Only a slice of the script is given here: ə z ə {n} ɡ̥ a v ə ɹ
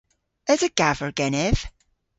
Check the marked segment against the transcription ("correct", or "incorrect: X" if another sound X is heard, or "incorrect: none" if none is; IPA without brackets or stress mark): incorrect: none